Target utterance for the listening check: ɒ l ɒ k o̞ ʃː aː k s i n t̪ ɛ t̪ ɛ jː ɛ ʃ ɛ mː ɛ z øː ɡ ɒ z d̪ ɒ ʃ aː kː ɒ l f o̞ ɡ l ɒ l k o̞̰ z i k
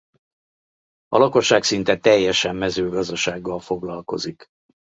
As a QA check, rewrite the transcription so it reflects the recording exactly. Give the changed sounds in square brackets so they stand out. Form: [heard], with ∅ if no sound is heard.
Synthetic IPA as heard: ɒ l ɒ k o̞ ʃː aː k s i n t̪ ɛ t̪ ɛ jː ɛ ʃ ɛ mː ɛ z øː ɡ ɒ z d̪ ɒ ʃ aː [ɡː] ɒ l f o̞ ɡ l ɒ l k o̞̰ z i k